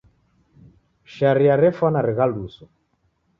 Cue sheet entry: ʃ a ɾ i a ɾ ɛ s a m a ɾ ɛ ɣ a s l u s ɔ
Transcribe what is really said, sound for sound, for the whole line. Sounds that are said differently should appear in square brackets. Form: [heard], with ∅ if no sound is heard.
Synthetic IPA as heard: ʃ a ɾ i a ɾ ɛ [f] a [n] a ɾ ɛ ɣ a [∅] l u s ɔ